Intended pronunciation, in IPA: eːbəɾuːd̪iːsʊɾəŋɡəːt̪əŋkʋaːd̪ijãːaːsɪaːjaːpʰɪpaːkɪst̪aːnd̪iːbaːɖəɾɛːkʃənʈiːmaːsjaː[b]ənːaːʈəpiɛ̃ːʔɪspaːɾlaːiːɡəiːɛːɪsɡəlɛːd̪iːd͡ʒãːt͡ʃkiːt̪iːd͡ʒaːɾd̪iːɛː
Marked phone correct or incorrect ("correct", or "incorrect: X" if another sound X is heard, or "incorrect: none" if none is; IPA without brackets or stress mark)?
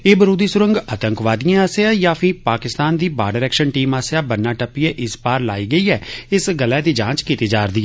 correct